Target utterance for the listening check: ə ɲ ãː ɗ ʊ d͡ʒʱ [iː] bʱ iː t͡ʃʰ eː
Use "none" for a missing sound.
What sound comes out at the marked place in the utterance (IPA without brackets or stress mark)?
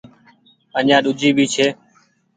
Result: iː